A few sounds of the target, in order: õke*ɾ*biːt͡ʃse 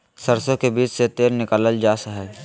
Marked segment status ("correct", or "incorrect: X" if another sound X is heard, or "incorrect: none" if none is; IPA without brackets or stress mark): incorrect: none